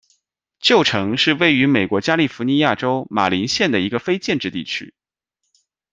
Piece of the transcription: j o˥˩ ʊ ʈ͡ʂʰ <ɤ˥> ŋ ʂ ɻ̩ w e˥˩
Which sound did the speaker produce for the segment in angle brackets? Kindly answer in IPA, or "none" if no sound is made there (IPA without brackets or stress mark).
ɤ˧˥